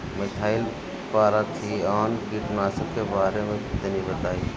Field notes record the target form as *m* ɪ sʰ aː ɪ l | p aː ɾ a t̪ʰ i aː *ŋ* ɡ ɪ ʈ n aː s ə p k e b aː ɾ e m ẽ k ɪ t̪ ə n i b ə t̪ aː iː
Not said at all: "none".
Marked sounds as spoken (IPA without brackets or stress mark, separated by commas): m, n